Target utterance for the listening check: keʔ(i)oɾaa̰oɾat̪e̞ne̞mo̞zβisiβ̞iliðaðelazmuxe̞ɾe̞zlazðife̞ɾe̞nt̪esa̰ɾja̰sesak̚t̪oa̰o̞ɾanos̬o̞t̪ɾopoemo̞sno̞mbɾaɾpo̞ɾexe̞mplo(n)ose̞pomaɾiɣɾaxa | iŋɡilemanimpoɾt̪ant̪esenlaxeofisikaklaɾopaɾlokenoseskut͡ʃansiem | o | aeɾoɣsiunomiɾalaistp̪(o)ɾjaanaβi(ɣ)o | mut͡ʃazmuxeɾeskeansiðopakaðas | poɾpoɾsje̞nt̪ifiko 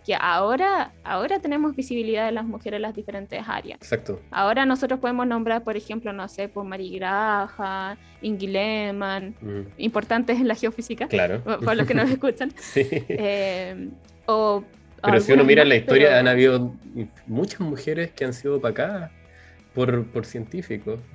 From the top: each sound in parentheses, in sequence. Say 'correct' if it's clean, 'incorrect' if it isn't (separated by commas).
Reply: incorrect, correct, correct, incorrect